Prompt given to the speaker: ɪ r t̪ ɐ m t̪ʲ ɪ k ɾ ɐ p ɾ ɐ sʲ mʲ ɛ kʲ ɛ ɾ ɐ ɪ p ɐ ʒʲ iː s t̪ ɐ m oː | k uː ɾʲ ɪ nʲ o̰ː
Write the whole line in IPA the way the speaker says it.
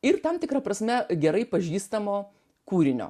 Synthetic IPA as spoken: ɪ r t̪ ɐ m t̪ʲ ɪ k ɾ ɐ p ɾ ɐ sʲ mʲ ɛ ɡʲ ɛ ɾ ɐ ɪ p ɐ ʒʲ iː s t̪ ɐ m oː | k uː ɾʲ ɪ nʲ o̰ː